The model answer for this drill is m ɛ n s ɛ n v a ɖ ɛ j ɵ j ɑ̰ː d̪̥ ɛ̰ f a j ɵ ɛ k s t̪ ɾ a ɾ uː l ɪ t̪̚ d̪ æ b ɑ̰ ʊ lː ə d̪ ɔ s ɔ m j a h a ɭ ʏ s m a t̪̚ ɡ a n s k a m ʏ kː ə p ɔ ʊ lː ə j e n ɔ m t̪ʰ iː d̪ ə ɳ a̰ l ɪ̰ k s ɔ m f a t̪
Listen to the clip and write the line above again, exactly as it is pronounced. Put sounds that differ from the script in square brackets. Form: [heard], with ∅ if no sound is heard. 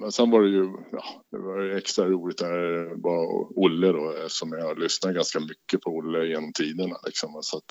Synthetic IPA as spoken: m ɛ n s ɛ n v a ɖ ɛ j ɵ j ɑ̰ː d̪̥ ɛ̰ [v] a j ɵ ɛ k s t̪ ɾ a ɾ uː l ɪ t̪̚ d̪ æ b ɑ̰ ʊ lː ə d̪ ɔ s ɔ m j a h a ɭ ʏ s [n] a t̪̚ ɡ a n s k a m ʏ kː ə [pʰ] ɔ ʊ lː ə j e n ɔ m t̪ʰ iː d̪ ə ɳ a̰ l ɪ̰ k s ɔ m [s] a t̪